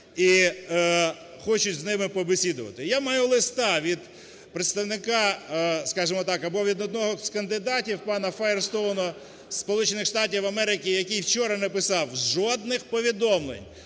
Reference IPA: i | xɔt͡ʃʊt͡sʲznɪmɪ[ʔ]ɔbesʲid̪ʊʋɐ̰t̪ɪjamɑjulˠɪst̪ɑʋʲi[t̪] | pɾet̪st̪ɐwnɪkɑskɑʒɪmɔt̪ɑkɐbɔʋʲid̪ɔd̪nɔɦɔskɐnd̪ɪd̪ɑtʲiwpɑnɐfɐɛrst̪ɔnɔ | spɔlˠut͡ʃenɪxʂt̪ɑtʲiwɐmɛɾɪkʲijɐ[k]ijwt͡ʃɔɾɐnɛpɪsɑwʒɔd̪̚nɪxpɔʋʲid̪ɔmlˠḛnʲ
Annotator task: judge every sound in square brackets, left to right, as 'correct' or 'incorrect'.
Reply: incorrect: p, incorrect: d̪, correct

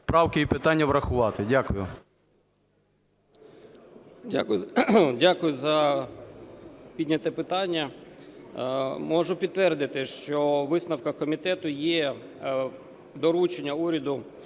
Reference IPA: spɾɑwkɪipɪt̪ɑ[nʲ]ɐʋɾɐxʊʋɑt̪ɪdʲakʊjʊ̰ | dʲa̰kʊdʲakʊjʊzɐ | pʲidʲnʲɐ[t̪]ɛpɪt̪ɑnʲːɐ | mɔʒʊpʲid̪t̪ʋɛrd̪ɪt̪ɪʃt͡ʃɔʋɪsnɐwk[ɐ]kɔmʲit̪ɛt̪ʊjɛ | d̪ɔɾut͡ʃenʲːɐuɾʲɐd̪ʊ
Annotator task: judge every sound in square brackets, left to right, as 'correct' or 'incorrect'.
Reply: incorrect: nʲː, correct, correct

